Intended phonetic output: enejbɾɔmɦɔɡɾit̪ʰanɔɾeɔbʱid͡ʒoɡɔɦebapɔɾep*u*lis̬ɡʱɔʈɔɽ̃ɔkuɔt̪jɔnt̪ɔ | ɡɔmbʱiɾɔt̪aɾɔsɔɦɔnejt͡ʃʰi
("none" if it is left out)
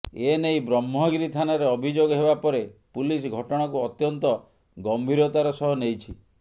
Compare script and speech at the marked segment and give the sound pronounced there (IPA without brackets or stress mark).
u